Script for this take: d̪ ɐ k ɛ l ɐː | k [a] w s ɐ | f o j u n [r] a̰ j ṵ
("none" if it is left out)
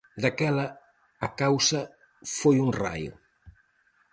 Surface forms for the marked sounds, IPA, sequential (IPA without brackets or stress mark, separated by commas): a, r